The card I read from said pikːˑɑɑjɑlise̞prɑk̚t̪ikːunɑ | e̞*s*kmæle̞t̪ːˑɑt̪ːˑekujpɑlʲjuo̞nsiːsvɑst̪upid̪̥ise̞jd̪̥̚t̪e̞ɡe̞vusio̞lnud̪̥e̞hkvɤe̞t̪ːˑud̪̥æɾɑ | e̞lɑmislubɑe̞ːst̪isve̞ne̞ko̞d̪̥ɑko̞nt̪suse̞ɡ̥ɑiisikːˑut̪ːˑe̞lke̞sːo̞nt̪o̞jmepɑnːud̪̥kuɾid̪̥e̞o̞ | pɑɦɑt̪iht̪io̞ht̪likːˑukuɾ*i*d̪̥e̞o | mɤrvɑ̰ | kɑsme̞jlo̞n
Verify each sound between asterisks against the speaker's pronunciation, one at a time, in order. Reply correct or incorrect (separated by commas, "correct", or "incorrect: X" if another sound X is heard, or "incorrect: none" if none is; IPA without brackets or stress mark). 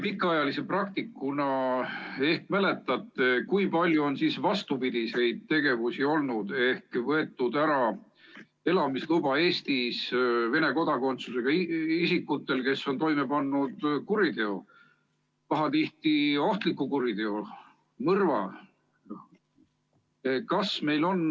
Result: incorrect: h, correct